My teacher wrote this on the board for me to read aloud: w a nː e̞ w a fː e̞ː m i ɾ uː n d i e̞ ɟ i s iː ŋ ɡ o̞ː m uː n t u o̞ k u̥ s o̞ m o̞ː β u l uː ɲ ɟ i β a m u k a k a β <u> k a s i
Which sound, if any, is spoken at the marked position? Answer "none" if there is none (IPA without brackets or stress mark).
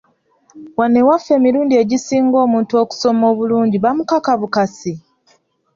u